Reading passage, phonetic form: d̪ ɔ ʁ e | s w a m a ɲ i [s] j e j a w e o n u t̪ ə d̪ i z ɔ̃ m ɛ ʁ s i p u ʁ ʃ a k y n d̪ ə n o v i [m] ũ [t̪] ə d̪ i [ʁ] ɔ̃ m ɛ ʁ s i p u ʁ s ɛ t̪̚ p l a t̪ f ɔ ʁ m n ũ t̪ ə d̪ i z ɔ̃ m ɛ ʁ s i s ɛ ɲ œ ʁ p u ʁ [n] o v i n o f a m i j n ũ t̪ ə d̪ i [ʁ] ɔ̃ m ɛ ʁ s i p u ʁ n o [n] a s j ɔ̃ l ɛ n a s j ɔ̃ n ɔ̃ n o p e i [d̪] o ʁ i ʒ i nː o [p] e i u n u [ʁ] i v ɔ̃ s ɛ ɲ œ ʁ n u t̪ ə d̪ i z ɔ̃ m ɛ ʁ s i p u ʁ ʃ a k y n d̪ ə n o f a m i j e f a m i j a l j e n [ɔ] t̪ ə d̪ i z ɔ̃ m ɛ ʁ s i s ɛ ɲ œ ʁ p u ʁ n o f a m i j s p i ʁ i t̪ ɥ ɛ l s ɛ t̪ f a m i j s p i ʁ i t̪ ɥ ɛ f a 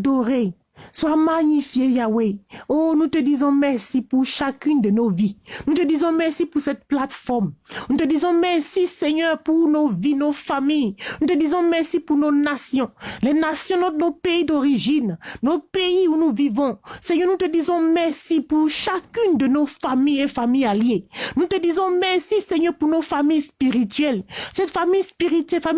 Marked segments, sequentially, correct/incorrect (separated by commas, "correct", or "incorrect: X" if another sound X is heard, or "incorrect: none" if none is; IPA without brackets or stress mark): incorrect: f, incorrect: n, correct, incorrect: z, correct, incorrect: z, correct, correct, correct, incorrect: v, incorrect: u